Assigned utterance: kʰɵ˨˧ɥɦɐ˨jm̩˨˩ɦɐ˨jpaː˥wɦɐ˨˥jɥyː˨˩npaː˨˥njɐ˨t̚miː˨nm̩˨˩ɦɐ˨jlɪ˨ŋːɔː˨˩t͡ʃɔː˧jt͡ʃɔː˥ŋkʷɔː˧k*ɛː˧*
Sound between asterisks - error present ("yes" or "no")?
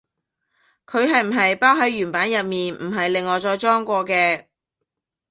no